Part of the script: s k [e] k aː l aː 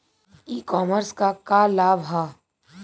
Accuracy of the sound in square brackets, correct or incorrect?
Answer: incorrect